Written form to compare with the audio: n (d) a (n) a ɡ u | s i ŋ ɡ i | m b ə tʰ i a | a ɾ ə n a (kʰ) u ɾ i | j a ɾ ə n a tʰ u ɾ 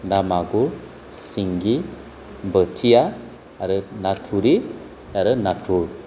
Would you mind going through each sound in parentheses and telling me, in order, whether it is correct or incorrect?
correct, incorrect, incorrect

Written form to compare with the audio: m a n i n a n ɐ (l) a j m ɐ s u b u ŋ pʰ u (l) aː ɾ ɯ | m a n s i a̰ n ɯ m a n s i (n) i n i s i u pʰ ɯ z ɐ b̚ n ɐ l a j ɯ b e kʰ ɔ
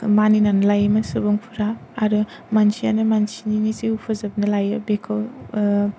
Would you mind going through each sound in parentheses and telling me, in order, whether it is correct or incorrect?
correct, incorrect, correct

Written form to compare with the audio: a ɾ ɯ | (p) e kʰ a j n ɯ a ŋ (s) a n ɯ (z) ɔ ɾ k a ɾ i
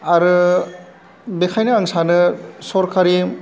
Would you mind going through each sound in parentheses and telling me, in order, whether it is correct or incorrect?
incorrect, correct, incorrect

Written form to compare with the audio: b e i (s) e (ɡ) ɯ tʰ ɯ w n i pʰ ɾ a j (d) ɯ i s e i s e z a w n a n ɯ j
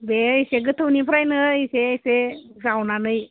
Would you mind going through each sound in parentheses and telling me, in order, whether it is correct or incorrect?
correct, correct, incorrect

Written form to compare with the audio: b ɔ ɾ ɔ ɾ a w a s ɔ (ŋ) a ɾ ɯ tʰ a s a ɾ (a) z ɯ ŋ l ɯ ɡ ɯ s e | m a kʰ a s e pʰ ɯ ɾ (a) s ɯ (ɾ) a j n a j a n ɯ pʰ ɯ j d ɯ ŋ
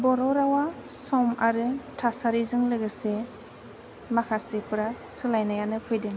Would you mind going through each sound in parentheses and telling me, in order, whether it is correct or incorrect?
incorrect, incorrect, correct, incorrect

